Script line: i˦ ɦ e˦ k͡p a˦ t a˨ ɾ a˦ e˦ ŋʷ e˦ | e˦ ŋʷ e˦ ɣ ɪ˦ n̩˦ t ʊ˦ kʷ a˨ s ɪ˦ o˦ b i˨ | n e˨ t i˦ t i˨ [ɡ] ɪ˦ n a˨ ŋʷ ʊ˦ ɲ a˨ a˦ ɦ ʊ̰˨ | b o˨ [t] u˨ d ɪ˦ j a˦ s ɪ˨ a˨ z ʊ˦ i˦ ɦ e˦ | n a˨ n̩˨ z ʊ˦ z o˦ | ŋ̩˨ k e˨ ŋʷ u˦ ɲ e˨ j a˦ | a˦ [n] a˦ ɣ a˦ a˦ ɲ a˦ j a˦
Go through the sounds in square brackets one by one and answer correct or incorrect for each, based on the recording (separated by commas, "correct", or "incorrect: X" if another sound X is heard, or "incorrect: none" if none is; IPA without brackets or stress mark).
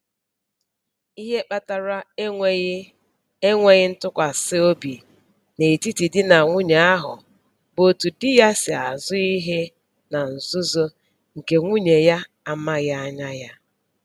incorrect: d, correct, incorrect: m